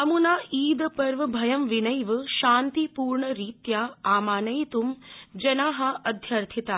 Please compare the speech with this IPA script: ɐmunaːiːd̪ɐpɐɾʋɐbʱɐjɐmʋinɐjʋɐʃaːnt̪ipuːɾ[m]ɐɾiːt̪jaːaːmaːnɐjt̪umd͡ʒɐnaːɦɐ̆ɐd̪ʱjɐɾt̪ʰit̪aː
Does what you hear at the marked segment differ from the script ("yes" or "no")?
yes